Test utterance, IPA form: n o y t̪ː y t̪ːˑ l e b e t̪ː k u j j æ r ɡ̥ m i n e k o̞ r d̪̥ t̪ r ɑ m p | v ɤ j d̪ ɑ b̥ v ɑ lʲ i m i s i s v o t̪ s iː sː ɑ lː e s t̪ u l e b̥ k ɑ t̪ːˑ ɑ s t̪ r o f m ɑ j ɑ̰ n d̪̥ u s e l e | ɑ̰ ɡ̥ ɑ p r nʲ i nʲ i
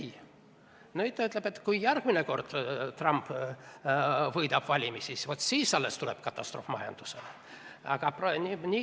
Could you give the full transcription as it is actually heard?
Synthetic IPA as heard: n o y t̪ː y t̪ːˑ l e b e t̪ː k u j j æ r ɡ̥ m i n e k o̞ r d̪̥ t̪ r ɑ m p | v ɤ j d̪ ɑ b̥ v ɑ lʲ i m i s i s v o t̪ s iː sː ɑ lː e s t̪ u l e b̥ k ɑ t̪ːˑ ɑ s t̪ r o f m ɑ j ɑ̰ n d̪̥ u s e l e | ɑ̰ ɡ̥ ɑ p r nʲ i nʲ i